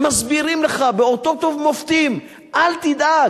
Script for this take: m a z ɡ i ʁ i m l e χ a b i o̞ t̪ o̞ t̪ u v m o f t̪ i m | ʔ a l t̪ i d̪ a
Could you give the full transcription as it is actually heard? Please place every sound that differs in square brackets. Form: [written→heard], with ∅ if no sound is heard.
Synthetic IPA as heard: m a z [ɡ→b] i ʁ i m l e χ a b [i→e] o̞ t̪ o̞ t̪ [u→o] v m o f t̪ i m | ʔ a l t̪ i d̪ a